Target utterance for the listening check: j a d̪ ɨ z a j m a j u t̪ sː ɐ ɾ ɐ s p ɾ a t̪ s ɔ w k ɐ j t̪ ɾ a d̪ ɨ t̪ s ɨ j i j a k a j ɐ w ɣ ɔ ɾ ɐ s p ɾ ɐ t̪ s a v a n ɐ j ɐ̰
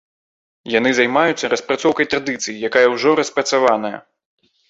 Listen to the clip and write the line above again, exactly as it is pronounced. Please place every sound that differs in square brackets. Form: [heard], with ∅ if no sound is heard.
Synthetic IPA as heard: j a [n̪] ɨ z a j m a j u t̪ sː ɐ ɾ ɐ s p ɾ a t̪ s ɔ w k ɐ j t̪ ɾ a d̪ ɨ t̪ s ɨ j i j a k a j ɐ w [ʐ] ɔ ɾ ɐ s p ɾ ɐ t̪ s a v a n ɐ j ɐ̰